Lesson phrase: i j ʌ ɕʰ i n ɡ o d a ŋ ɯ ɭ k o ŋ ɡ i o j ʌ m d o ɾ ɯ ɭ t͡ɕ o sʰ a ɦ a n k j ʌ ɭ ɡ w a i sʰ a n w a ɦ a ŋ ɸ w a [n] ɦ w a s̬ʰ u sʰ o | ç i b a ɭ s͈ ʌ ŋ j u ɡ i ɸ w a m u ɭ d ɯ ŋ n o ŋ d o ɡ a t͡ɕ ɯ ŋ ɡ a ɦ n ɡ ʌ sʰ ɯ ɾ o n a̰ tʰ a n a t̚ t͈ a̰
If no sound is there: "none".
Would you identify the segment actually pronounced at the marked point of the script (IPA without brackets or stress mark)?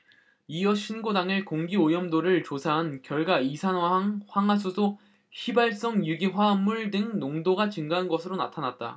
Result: ŋ